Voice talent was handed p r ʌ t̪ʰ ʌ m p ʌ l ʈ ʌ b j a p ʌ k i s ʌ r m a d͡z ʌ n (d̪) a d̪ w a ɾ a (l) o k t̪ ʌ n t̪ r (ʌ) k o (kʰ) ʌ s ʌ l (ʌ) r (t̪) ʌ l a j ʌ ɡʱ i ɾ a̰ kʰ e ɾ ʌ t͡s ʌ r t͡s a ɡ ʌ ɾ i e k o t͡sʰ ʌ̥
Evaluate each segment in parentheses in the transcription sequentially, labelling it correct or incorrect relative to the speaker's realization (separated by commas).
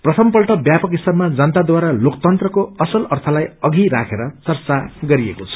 incorrect, correct, correct, incorrect, correct, incorrect